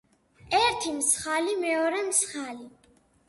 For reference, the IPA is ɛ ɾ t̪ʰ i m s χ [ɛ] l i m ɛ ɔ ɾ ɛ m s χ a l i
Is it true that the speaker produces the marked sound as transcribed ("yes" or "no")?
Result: no